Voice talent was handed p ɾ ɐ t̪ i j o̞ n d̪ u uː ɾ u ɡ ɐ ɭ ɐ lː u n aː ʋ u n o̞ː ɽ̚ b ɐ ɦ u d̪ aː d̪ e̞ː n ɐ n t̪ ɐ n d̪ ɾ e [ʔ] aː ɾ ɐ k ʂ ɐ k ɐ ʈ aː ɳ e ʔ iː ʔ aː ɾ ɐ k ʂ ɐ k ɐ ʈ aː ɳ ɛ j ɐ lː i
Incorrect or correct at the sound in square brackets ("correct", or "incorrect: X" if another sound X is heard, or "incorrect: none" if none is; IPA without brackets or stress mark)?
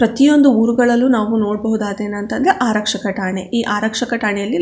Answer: correct